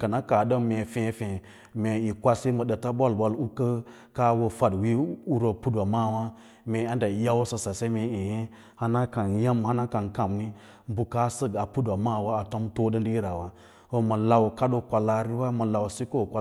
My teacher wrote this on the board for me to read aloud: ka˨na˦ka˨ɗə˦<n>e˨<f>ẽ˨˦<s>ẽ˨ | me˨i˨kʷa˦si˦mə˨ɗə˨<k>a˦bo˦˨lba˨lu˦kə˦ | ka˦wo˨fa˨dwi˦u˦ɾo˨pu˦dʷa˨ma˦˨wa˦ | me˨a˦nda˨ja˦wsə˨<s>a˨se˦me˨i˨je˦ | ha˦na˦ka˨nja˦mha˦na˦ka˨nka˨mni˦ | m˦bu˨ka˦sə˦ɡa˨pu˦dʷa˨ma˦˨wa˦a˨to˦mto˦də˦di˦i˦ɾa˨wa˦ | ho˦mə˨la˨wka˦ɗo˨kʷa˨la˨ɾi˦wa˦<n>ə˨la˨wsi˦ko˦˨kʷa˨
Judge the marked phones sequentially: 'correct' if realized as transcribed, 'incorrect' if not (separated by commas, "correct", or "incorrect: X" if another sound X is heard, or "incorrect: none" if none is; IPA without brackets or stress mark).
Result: incorrect: m, correct, incorrect: f, incorrect: t, correct, incorrect: m